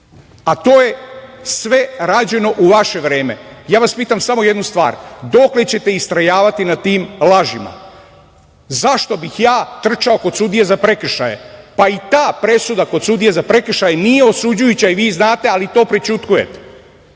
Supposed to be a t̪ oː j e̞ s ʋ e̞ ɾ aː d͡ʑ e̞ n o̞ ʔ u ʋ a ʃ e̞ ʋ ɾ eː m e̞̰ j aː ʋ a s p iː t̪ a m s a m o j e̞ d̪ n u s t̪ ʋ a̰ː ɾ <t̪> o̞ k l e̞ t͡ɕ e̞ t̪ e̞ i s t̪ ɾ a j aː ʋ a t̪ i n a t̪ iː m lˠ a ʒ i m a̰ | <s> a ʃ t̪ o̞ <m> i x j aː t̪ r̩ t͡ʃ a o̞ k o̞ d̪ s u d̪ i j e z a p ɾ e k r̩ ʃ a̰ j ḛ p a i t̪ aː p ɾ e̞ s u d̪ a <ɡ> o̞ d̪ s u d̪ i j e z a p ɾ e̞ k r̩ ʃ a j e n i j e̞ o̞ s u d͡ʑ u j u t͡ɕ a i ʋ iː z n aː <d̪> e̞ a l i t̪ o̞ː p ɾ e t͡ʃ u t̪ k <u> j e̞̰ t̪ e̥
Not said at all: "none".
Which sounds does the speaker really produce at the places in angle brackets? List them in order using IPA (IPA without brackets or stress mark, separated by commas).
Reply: d̪, z, b, k, t̪, u